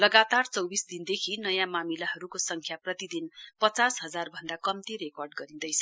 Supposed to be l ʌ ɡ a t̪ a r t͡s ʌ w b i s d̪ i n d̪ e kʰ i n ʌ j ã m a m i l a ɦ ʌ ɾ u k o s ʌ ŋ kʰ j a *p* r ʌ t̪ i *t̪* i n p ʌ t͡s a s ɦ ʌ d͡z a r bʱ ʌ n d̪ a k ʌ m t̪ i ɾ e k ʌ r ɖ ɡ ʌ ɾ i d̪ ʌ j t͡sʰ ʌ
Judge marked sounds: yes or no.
yes, no

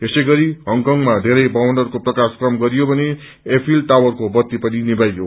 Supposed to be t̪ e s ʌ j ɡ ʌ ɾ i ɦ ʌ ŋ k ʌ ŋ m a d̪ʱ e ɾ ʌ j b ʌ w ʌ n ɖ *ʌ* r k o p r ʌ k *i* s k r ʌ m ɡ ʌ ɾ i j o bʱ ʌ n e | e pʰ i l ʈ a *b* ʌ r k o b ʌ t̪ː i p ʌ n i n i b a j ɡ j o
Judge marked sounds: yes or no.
yes, no, no

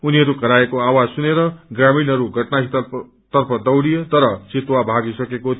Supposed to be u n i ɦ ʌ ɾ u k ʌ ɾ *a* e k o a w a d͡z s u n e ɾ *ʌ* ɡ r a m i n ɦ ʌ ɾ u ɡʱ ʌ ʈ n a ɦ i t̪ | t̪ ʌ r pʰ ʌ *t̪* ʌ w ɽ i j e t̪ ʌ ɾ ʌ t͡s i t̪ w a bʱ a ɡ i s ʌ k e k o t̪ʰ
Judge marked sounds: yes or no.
yes, yes, no

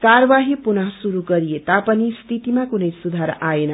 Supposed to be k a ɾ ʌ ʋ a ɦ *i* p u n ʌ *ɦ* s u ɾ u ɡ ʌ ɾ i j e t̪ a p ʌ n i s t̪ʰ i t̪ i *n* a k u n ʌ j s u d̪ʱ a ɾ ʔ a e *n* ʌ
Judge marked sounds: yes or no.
yes, yes, no, yes

